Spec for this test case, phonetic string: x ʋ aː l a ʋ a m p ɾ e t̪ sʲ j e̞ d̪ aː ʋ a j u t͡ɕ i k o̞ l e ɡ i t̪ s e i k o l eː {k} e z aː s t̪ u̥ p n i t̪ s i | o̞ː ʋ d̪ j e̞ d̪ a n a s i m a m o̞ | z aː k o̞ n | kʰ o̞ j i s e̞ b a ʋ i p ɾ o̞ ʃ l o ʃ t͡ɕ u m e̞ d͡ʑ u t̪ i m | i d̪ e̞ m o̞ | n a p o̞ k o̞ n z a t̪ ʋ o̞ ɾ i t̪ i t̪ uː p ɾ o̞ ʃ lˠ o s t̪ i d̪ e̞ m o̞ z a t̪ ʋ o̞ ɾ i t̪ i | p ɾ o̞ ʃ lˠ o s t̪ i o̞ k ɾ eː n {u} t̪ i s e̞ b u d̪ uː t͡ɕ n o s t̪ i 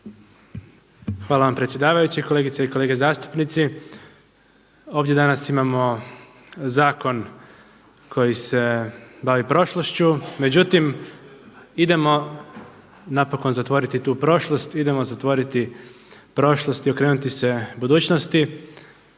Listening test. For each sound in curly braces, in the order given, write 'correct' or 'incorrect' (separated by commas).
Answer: incorrect, correct